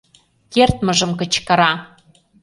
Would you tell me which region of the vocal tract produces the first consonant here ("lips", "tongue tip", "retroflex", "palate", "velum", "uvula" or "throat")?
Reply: velum